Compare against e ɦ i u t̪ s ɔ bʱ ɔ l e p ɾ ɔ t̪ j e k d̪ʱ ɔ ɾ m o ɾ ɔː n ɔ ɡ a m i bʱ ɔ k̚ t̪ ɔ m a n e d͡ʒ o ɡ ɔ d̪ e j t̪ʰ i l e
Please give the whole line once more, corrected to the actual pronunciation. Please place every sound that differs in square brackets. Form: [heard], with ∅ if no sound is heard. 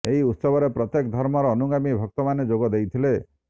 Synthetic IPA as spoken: e ɦ i u t̪ s ɔ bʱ ɔ [ɾ] e p ɾ ɔ t̪ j e k d̪ʱ ɔ ɾ m [ɔ] ɾ ɔː n [u] ɡ a m i bʱ ɔ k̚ t̪ ɔ m a n e d͡ʒ o ɡ ɔ d̪ e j t̪ʰ i l e